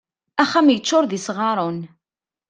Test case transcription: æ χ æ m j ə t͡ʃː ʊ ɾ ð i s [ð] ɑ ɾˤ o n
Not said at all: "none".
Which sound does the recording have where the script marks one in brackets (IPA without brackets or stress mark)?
ʁ